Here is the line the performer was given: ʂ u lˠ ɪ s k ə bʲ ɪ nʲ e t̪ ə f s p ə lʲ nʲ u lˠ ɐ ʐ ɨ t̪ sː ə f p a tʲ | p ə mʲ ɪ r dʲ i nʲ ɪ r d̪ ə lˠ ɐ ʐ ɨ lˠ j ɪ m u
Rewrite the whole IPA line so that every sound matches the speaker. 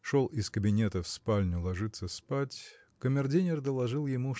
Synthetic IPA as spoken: ʂ o lˠ ɪ s k ə bʲ ɪ nʲ e t̪ ə f s p a lʲ nʲ ʊ lˠ ɐ ʐ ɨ t̪ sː ə s p a tʲ | k ə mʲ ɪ r dʲ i nʲ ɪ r d̪ ə lˠ ɐ ʐ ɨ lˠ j ɪ m u